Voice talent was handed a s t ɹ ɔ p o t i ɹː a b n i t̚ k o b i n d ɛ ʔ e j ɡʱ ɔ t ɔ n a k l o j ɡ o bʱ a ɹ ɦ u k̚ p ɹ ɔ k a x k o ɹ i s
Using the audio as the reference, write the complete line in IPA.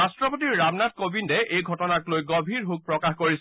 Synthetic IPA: a s t ɹ ɔ p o t i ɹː a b n a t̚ k o b i n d ɛ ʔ e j ɡʱ ɔ t ɔ n a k l o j ɡ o bʱ i ɹ ɦ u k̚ p ɹ ɔ k a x k o ɹ i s